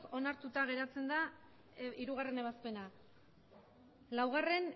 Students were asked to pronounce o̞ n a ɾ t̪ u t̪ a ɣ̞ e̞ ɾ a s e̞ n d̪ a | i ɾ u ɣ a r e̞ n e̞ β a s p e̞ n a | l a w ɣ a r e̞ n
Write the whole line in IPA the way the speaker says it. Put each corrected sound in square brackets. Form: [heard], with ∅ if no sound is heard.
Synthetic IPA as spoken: o̞ n a ɾ t̪ u t̪ a ɣ̞ e̞ ɾ a [t͡s] e̞ n d̪ a | i ɾ u ɣ a r e̞ n e̞ β a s p e̞ n a | l a w ɣ a r e̞ n